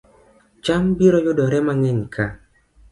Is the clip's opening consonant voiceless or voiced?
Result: voiceless